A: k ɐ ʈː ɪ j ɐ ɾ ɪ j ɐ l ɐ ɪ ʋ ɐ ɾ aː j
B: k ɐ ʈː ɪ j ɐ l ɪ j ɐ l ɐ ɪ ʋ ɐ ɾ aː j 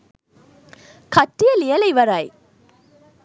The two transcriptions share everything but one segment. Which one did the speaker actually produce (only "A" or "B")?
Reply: B